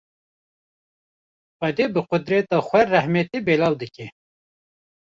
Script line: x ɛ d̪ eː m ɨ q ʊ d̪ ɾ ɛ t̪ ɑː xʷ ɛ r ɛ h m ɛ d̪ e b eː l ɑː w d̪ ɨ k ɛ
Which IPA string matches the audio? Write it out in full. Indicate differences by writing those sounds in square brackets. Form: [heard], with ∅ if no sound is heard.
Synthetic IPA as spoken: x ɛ d̪ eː [b] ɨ q ʊ d̪ ɾ ɛ t̪ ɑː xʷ ɛ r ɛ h m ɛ [t̪] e b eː l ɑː w d̪ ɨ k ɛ

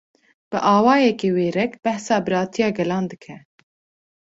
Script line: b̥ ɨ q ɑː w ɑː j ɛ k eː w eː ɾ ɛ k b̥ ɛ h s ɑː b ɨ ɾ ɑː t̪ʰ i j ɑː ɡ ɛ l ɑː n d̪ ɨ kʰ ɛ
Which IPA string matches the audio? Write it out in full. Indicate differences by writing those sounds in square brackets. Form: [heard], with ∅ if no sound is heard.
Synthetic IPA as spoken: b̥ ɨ [ʔ] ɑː w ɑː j ɛ k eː w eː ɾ ɛ k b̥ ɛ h s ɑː b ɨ ɾ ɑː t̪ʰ i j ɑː ɡ ɛ l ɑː n d̪ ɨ kʰ ɛ

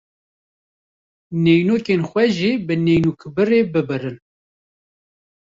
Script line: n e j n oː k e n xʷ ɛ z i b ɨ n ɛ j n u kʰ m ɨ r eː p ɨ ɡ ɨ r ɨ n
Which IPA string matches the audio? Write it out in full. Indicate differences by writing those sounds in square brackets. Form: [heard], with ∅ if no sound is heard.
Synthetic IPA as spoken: n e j n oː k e n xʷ ɛ [ʒ] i b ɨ n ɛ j n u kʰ [b] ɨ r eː [b] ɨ [b] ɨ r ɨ n

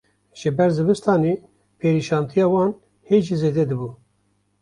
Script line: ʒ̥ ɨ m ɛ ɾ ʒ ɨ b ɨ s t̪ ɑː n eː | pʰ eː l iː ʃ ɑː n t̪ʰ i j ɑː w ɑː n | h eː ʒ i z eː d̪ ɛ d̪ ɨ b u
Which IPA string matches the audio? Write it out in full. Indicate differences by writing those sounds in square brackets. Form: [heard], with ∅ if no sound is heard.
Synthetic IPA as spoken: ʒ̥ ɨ [b] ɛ ɾ [z] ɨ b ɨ s t̪ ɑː n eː | pʰ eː [ɾ] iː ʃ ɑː n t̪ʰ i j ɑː w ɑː n | h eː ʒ i z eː d̪ ɛ d̪ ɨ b u

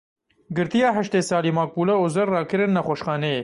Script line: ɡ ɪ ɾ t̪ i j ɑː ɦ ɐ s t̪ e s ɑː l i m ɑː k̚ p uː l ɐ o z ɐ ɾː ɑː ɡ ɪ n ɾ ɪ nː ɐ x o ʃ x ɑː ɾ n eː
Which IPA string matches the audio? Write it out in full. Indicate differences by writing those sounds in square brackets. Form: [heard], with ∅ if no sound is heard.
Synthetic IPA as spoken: ɡ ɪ ɾ t̪ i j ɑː ɦ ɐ [ʃ] t̪ e s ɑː l i m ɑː k̚ p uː l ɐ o z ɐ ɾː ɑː [k] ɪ [∅] ɾ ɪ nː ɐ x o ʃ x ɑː [∅] n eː

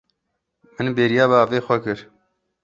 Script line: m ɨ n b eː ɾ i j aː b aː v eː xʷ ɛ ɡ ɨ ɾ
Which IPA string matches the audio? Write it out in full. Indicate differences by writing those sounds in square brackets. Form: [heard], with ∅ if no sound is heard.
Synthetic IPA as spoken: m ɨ n b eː ɾ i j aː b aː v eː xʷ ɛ [k] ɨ ɾ

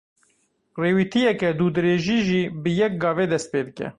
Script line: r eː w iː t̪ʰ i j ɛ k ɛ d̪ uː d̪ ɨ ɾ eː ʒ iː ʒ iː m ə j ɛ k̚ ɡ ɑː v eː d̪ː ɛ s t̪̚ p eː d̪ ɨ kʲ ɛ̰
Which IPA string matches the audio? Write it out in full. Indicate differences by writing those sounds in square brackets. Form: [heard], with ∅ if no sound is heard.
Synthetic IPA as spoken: r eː w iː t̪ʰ i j ɛ k ɛ d̪ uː d̪ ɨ ɾ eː ʒ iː ʒ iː [b] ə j ɛ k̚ ɡ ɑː v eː [d̪] ɛ s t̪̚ p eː d̪ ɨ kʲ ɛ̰

